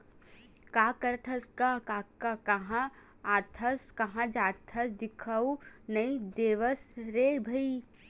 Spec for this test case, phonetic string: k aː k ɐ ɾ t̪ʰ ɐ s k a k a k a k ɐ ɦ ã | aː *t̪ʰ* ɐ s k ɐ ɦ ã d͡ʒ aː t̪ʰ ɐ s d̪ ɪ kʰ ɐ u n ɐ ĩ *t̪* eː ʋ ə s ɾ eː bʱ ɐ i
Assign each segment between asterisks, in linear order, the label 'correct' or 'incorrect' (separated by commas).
correct, incorrect